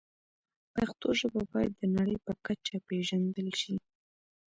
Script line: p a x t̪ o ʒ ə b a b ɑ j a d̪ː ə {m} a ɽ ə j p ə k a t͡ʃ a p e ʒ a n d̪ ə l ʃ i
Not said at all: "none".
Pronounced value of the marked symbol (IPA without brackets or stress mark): n